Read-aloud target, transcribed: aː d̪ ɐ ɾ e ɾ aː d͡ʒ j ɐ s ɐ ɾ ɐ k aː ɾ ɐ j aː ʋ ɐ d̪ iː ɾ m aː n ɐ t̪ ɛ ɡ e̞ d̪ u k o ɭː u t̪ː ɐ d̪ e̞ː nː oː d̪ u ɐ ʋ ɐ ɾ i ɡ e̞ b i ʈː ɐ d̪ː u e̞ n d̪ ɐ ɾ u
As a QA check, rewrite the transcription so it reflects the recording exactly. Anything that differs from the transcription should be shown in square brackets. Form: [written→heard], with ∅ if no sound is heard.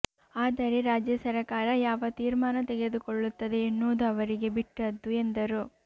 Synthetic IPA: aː d̪ ɐ ɾ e ɾ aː d͡ʒ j ɐ s ɐ ɾ ɐ k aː ɾ ɐ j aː ʋ ɐ [d̪→t̪] iː ɾ m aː n ɐ t̪ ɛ ɡ e̞ d̪ u k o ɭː u t̪ː ɐ d̪ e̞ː nː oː d̪ u ɐ ʋ ɐ ɾ i ɡ e̞ b i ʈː ɐ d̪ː u e̞ n d̪ ɐ ɾ u